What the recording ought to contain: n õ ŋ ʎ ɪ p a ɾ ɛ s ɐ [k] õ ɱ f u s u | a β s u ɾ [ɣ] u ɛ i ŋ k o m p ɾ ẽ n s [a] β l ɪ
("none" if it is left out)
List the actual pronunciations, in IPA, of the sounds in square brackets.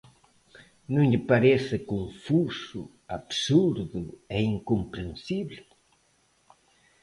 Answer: k, ð, i

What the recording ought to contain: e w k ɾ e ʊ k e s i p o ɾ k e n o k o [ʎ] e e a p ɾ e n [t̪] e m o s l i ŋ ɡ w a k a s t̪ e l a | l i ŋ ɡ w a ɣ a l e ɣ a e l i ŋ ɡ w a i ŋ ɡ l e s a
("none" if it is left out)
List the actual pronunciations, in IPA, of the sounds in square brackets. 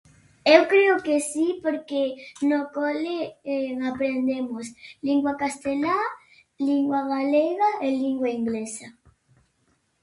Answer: l, d̪

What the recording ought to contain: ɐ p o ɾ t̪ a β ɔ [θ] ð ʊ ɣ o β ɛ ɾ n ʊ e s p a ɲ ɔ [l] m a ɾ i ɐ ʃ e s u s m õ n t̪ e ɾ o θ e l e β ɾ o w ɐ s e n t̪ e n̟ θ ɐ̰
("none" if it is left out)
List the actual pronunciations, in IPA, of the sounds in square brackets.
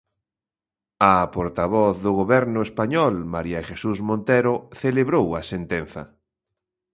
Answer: θ, l

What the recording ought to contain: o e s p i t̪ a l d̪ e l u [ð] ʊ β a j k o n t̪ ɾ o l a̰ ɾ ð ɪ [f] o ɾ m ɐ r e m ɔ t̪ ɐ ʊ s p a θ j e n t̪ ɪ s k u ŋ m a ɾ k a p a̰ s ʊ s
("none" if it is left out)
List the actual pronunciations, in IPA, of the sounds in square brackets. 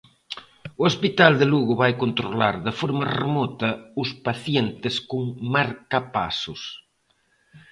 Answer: ɣ, f

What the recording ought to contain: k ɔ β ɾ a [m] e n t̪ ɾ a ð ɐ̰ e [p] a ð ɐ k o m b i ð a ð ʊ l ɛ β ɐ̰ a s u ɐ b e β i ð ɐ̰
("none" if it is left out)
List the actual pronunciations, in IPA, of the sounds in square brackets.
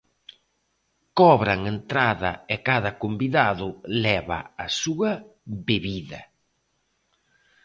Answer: ŋ, k

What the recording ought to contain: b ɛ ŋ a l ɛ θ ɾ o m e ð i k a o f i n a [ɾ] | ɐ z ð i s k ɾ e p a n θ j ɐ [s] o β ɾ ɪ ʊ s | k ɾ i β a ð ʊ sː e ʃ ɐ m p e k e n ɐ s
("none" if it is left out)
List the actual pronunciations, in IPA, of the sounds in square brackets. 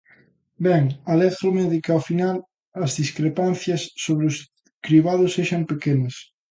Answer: l, sː

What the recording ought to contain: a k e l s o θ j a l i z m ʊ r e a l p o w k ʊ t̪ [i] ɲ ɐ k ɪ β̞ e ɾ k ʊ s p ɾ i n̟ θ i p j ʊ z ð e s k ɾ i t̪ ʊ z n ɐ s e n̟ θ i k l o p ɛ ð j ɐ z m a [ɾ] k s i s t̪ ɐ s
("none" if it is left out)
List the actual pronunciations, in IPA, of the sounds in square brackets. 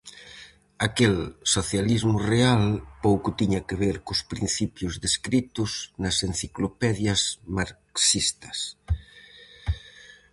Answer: i, ɾ

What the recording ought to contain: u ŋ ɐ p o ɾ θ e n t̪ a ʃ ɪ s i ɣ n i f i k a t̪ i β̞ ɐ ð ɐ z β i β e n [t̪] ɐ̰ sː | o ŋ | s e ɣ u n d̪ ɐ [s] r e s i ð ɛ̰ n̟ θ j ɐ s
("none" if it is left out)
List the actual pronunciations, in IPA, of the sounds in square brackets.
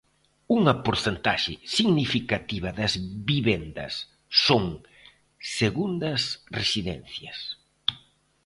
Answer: d̪, s

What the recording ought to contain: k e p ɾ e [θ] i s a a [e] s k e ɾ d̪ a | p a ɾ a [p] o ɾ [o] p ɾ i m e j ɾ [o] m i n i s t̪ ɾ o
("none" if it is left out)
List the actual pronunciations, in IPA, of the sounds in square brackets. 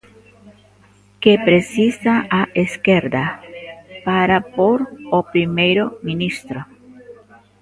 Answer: s, e, p, o, o

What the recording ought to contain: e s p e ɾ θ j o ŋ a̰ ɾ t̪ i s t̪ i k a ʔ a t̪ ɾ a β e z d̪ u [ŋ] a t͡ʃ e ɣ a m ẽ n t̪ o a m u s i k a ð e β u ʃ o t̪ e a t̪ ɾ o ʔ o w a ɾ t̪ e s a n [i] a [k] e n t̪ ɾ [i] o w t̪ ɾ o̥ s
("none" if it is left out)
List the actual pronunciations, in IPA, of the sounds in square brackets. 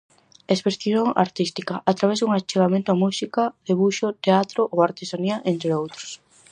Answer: ŋ, i, ʔ, e

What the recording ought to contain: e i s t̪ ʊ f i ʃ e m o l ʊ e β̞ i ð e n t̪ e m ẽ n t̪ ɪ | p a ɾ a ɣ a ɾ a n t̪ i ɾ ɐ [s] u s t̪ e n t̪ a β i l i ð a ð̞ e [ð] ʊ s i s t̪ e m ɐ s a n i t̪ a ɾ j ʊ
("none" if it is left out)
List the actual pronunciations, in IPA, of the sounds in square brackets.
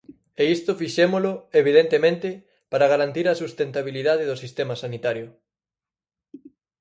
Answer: s, ð

